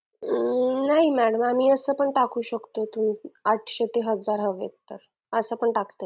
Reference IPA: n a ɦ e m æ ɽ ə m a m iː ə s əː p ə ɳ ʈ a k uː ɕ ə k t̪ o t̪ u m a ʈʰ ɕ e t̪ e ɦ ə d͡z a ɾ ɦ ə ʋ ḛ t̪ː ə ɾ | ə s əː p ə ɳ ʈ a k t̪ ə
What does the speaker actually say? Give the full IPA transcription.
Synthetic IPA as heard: n a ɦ i m æ ɽ ə m a m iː ə s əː p ə ɳ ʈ a k uː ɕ ə k t̪ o t̪ u m a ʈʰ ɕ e t̪ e ɦ ə d͡z a ɾ ɦ ə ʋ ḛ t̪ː ə ɾ | ə s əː p ə ɳ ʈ a k t̪ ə